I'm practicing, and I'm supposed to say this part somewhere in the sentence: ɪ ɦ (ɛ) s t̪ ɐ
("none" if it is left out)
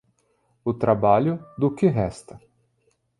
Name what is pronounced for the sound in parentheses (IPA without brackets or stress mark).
ɛ